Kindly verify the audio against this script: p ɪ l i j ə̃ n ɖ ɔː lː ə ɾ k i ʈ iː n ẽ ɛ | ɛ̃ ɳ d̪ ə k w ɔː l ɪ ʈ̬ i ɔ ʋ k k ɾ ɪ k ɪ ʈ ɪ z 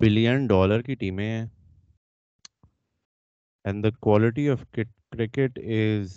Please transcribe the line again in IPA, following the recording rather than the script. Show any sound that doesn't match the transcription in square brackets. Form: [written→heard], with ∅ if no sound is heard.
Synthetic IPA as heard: [p→b] ɪ l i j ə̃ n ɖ ɔː [lː→l] ə ɾ k i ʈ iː [n→m] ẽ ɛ | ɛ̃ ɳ d̪ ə k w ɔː l ɪ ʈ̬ i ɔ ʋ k k ɾ ɪ k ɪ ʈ ɪ z